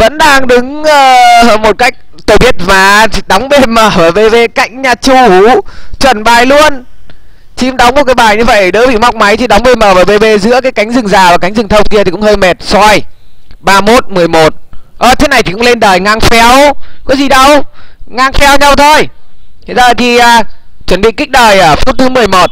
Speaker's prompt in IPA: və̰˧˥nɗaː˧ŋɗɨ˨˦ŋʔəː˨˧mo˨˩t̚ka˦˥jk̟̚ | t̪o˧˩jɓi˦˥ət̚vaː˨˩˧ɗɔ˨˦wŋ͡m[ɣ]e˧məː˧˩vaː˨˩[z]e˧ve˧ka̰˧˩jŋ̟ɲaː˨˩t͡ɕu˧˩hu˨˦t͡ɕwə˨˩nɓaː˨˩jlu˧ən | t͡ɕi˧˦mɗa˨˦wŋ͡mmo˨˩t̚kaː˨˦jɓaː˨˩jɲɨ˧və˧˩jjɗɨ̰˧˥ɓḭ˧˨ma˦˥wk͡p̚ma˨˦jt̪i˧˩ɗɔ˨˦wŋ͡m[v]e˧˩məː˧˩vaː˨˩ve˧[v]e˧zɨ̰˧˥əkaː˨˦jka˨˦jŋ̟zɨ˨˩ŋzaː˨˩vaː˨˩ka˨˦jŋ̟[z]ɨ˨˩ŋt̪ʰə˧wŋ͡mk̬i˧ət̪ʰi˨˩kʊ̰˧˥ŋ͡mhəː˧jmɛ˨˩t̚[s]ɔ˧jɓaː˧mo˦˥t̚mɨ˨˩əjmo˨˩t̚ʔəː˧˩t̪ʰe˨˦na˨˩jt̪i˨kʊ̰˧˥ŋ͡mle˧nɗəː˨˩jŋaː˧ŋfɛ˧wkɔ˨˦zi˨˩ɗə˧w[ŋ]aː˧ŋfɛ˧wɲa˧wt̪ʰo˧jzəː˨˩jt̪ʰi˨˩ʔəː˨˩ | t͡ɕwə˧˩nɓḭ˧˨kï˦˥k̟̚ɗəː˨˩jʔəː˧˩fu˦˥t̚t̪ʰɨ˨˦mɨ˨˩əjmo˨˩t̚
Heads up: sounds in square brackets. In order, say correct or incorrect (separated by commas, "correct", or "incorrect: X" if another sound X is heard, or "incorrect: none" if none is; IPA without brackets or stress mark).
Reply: incorrect: v, incorrect: v, correct, correct, correct, correct, correct